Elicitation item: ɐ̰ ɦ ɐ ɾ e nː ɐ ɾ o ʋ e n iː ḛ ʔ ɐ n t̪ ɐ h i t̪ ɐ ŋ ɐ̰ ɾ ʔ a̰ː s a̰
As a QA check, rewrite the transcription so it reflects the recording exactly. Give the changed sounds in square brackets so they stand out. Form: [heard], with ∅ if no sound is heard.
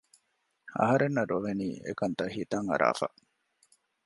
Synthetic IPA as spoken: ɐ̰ ɦ ɐ ɾ e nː ɐ ɾ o ʋ e n iː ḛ [k] ɐ n t̪ ɐ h i t̪ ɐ ŋ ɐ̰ ɾ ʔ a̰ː [f] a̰